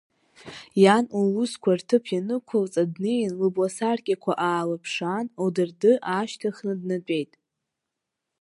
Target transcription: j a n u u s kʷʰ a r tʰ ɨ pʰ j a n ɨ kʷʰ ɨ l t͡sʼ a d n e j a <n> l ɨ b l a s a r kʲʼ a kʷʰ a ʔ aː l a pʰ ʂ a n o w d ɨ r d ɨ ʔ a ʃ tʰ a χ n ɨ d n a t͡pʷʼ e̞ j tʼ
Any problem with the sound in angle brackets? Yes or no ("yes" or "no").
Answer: no